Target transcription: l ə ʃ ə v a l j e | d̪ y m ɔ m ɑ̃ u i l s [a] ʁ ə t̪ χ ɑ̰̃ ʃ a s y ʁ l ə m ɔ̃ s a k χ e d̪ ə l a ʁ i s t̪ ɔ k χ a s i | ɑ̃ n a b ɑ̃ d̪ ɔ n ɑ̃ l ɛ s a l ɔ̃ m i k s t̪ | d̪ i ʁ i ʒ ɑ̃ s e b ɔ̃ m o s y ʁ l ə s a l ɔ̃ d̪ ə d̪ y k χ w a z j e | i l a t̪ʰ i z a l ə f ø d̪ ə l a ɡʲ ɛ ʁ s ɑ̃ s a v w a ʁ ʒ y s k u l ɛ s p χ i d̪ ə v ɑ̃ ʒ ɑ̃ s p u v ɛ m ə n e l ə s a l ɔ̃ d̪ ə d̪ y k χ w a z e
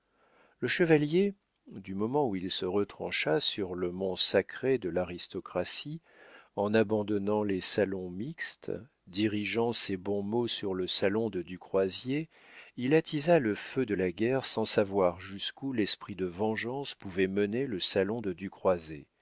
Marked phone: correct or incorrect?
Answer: incorrect